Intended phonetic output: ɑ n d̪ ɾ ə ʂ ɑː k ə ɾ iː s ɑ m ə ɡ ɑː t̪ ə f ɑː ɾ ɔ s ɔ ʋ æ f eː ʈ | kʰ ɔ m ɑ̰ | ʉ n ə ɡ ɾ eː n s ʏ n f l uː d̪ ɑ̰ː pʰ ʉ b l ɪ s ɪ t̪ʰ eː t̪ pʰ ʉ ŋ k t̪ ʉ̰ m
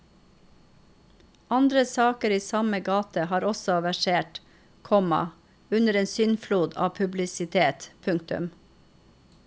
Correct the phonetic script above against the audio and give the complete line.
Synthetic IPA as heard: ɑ n d̪ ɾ ə s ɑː k ə ɾ iː s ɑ m ə ɡ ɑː t̪ ə h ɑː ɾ ɔ s ɔ ʋ æ ʃ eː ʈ | kʰ ɔ m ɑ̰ | ʉ n ə ɾ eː n s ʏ n f l uː d̪ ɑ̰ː pʰ ʉ b l ɪ s ɪ t̪ʰ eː t̪ pʰ ʉ ŋ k t̪ ʉ̰ m